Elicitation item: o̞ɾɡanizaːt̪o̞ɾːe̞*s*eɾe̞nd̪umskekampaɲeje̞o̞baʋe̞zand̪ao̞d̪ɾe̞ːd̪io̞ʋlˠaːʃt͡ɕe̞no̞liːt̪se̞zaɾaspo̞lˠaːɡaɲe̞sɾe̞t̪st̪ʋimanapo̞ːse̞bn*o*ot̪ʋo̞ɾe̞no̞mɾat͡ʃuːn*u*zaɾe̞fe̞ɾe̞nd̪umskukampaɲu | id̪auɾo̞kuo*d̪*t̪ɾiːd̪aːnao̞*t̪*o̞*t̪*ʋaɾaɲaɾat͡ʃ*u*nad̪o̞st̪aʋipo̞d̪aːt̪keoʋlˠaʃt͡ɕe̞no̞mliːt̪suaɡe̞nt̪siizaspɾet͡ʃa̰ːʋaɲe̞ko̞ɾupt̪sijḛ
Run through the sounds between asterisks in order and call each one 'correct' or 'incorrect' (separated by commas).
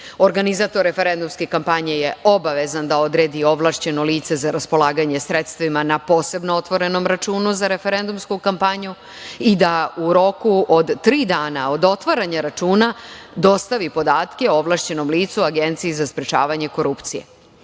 incorrect, correct, correct, correct, incorrect, correct, incorrect